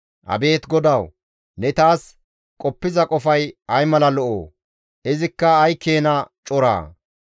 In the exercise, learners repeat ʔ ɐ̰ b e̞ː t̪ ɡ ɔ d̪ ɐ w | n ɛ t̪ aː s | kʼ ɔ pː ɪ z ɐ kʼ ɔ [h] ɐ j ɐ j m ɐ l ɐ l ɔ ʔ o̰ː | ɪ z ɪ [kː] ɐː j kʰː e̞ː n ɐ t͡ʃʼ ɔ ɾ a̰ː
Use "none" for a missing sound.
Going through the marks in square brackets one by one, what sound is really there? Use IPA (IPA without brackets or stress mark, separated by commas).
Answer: f, kː